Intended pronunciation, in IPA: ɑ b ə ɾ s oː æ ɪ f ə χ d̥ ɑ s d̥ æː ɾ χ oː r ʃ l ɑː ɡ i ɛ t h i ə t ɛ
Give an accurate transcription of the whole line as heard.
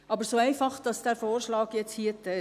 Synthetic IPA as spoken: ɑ b ə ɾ s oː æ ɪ f ɑ χ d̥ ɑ s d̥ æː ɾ f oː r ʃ l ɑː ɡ j ɛ t͡s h i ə t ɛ